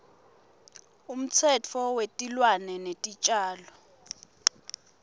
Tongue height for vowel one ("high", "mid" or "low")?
high